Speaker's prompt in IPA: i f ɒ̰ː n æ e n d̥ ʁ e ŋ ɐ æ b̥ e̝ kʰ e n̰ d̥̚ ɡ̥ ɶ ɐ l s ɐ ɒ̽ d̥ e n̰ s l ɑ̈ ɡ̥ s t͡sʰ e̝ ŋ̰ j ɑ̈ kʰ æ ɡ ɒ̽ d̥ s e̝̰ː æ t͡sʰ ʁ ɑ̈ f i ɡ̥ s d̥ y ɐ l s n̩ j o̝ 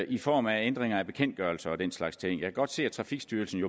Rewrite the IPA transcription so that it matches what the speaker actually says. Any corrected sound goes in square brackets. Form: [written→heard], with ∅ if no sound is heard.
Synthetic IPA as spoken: i f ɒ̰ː [n→m] æ e n d̥ ʁ e ŋ ɐ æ b̥ e̝ kʰ e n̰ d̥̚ ɡ̥ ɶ ɐ l s ɐ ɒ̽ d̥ e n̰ s l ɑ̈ ɡ̥ s t͡sʰ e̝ ŋ̰ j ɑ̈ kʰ æ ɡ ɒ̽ d̥ s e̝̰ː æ t͡sʰ ʁ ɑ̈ f i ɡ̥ s d̥ y ɐ l s n̩ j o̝